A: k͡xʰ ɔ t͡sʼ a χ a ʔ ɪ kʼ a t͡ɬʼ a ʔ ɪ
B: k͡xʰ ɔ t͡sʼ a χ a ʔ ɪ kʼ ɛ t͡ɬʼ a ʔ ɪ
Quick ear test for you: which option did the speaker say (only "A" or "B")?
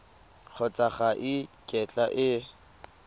B